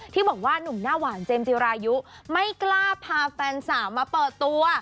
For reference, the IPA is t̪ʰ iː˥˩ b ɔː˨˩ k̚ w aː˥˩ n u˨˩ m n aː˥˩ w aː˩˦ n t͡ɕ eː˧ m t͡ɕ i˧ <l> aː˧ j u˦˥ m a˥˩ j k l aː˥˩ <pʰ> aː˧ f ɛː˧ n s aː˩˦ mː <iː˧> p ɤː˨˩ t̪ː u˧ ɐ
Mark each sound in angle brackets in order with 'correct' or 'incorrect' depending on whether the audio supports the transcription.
incorrect, correct, incorrect

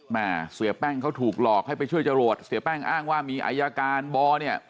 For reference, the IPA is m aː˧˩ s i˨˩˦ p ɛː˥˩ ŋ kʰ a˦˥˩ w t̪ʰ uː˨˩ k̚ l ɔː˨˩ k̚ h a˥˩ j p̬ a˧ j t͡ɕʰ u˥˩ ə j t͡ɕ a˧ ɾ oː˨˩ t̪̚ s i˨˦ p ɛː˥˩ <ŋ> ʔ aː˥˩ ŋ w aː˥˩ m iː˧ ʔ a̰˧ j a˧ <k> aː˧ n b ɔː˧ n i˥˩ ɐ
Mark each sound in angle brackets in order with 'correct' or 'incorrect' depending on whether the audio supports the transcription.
correct, correct

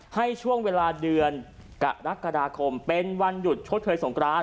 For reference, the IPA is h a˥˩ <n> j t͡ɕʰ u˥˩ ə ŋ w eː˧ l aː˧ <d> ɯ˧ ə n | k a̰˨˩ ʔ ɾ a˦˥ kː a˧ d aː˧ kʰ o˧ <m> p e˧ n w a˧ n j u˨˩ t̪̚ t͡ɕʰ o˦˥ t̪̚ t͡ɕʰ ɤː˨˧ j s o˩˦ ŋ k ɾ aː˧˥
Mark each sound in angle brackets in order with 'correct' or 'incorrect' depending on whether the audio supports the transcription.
incorrect, correct, correct

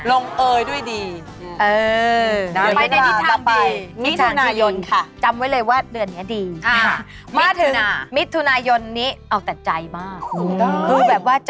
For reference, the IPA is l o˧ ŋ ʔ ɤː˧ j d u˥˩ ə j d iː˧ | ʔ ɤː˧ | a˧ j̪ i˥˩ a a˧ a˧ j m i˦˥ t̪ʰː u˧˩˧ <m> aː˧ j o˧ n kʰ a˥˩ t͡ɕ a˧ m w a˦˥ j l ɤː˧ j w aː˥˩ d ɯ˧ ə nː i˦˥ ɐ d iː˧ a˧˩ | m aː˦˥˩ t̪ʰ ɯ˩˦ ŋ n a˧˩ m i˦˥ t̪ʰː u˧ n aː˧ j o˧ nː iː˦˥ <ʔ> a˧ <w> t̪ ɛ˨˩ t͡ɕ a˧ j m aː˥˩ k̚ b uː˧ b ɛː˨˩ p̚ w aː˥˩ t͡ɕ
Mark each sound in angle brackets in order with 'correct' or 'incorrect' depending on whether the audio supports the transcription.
incorrect, correct, correct

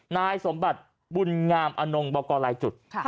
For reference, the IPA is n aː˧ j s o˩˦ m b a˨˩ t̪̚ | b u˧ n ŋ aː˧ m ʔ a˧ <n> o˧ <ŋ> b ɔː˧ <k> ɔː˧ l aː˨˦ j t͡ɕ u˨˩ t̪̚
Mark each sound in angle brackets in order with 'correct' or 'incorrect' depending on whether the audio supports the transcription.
correct, correct, correct

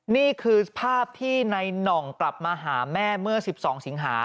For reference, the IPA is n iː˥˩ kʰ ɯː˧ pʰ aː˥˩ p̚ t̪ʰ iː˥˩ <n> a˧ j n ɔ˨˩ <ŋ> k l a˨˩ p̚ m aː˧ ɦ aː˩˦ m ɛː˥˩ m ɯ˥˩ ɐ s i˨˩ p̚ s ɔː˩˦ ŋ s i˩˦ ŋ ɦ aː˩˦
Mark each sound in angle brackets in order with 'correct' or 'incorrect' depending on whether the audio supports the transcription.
correct, correct

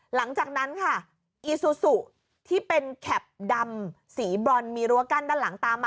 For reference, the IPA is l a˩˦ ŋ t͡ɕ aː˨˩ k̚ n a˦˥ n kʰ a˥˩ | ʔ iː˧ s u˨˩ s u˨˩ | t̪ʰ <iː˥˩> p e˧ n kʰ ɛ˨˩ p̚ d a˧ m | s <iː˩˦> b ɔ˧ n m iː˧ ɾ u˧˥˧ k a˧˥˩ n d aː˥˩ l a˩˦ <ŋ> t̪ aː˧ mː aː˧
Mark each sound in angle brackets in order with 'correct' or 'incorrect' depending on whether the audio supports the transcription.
correct, correct, correct

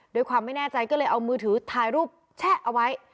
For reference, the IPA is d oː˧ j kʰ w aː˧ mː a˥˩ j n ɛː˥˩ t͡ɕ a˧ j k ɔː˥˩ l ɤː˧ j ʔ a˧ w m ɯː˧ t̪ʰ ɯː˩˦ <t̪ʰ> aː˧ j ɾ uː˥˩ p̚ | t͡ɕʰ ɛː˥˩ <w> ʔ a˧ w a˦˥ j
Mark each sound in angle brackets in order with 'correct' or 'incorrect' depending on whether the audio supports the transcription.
correct, incorrect

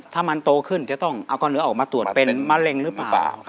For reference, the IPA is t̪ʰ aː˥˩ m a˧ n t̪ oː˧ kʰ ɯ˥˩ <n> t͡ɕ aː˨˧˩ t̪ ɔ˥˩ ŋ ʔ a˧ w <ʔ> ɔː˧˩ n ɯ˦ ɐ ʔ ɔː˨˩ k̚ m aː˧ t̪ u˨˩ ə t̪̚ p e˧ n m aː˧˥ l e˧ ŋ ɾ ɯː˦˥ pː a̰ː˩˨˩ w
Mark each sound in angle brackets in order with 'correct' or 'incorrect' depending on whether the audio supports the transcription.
correct, incorrect

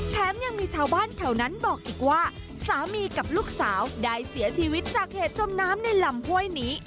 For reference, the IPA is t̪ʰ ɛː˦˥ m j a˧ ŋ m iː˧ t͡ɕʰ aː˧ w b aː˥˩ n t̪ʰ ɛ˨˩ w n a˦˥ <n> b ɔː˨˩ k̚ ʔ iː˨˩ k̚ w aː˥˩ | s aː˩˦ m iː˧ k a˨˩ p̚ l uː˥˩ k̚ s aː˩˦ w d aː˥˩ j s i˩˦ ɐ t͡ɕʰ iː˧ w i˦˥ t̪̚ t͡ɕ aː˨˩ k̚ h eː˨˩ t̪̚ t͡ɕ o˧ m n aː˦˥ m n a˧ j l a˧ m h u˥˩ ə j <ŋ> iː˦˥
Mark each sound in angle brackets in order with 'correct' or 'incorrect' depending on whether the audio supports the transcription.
correct, incorrect

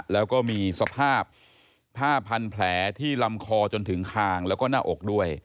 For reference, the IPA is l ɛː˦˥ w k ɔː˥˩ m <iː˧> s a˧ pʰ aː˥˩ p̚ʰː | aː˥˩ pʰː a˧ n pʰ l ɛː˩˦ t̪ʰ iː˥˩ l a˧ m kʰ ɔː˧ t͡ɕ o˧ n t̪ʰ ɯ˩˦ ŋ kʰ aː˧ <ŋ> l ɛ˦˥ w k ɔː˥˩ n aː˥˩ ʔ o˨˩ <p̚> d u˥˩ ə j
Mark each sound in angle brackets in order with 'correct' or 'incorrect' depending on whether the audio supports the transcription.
correct, correct, incorrect

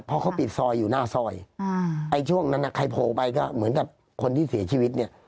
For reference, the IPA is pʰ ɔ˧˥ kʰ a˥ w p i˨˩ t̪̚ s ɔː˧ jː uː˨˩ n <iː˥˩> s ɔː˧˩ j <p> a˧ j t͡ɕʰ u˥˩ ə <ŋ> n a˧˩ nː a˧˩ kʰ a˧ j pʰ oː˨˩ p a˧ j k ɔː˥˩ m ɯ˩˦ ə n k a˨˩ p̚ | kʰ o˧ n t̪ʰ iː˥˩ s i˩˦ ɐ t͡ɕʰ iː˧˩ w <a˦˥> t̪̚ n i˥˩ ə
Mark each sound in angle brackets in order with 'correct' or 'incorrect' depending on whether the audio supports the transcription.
incorrect, incorrect, correct, incorrect

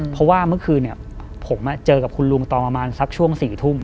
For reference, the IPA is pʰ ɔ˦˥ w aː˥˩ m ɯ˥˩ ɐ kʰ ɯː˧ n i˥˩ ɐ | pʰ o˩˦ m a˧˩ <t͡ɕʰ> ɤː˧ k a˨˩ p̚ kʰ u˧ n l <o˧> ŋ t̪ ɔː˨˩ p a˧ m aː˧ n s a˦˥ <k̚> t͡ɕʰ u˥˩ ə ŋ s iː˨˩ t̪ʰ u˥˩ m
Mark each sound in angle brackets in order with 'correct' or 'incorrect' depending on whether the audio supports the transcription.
incorrect, incorrect, correct

